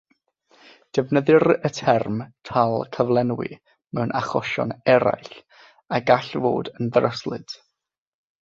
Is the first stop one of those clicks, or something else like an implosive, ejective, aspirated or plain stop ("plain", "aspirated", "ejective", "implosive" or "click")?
plain